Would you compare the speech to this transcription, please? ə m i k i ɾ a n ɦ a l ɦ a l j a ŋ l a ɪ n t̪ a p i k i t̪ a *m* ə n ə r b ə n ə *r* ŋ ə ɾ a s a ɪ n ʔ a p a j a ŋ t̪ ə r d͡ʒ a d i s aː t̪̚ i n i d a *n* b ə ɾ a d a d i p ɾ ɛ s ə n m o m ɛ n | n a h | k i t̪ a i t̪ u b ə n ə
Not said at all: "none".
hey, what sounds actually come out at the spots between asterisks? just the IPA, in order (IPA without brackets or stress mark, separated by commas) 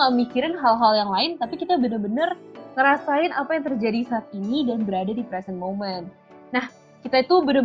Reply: b, r, n